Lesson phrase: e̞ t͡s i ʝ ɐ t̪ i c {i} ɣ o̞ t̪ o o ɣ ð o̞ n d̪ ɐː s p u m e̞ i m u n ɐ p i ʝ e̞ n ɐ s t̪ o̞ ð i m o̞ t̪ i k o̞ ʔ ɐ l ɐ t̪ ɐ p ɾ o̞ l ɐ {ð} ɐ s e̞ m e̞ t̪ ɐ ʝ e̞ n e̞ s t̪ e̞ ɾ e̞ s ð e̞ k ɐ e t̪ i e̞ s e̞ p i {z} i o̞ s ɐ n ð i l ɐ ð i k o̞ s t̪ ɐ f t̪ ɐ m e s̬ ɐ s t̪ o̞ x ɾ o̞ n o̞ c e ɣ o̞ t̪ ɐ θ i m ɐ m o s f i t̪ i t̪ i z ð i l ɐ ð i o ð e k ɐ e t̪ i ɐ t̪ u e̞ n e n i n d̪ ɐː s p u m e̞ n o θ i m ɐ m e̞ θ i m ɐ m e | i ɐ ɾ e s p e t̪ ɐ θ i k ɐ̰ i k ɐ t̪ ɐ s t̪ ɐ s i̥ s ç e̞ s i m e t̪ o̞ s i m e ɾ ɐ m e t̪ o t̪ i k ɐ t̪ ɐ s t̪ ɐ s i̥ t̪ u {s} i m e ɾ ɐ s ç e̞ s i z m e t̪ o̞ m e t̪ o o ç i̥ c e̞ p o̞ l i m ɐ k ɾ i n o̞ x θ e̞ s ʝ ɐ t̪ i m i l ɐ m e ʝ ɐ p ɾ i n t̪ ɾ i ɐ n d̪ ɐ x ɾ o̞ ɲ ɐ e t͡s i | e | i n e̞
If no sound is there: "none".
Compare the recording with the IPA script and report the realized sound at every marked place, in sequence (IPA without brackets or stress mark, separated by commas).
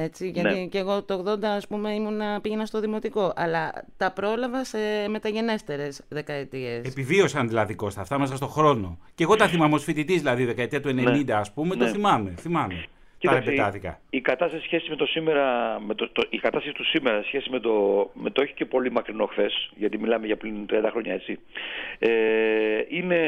e, v, v, s